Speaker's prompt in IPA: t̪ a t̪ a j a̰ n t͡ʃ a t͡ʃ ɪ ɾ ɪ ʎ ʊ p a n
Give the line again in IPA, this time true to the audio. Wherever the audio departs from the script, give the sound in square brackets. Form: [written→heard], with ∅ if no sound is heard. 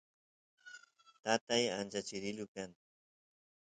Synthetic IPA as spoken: t̪ a t̪ a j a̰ n t͡ʃ a t͡ʃ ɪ ɾ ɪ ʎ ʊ [p→k] a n